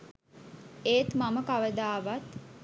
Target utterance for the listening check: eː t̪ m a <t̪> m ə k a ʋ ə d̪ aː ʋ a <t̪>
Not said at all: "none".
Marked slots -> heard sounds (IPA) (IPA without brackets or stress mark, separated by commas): none, t̪